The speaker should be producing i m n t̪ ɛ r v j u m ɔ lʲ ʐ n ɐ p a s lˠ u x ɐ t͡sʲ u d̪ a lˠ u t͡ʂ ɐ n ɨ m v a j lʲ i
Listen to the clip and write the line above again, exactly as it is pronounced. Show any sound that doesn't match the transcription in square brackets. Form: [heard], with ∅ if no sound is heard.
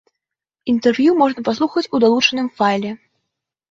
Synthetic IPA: i [∅] n t̪ ɛ r v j u m ɔ [∅] ʐ n ɐ p a s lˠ u x ɐ t͡sʲ u d̪ a lˠ u t͡ʂ ɐ n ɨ m [f] a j lʲ [ɛ]